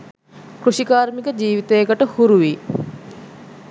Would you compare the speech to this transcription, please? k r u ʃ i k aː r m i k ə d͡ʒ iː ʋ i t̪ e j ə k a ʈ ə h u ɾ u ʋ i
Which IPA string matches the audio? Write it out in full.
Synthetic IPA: k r u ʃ i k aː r m i k ə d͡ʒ iː ʋ i t̪ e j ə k ə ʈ ə h u ɾ u ʋ i